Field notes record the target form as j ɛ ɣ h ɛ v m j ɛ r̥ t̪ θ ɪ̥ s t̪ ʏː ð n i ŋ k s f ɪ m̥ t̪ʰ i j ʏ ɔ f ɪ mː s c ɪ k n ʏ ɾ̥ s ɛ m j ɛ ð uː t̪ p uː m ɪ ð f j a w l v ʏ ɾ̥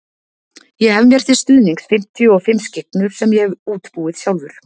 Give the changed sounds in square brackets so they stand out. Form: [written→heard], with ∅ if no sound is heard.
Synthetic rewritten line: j ɛ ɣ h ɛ v m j ɛ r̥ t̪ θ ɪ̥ s t̪ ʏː ð n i ŋ k s f ɪ m̥ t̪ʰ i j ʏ ɔ f ɪ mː s c ɪ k n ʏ ɾ̥ s ɛ m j ɛ [ð→ɣ] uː t̪ p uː [m→∅] ɪ ð [f→s] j a w l v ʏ ɾ̥